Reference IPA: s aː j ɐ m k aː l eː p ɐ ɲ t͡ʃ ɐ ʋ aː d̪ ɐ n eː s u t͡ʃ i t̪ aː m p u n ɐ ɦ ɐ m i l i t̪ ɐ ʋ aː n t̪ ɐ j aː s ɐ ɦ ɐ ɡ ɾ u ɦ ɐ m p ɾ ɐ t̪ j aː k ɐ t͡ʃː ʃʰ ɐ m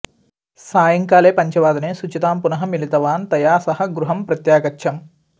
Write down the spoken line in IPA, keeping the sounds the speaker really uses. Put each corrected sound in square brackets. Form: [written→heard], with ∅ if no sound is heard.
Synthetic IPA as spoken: s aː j ɐ [m→ŋ] k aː l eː p ɐ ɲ t͡ʃ ɐ ʋ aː d̪ ɐ n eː s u t͡ʃ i t̪ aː m p u n ɐ ɦ ɐ m i l i t̪ ɐ ʋ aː n t̪ ɐ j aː s ɐ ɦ ɐ ɡ ɾ u ɦ ɐ m p ɾ ɐ t̪ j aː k ɐ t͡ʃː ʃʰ ɐ m

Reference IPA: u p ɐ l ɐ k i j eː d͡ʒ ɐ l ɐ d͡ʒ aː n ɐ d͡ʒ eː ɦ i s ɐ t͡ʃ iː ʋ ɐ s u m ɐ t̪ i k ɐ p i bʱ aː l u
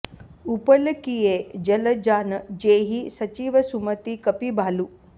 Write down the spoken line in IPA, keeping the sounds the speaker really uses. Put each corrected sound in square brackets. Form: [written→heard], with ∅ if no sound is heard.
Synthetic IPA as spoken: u p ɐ l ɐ k i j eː d͡ʒ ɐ l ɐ d͡ʒ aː n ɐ d͡ʒ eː ɦ i s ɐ t͡ʃ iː ʋ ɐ s u m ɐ t̪ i k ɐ p i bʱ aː l u

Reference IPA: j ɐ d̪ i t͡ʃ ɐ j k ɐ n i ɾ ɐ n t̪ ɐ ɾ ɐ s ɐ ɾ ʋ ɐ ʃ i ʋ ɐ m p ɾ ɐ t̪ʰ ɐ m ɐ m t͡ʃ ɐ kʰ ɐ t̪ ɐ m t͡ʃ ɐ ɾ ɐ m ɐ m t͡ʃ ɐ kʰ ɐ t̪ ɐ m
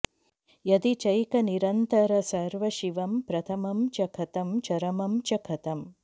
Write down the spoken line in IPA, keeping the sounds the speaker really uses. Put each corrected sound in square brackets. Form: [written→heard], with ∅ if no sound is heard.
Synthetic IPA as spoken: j ɐ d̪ i t͡ʃ ɐ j k ɐ n i ɾ ɐ n t̪ ɐ ɾ ɐ s ɐ ɾ ʋ ɐ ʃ i ʋ ɐ m p ɾ ɐ t̪ʰ ɐ m ɐ m t͡ʃ ɐ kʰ ɐ t̪ ɐ m t͡ʃ ɐ ɾ ɐ m ɐ m t͡ʃ ɐ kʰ ɐ t̪ ɐ m

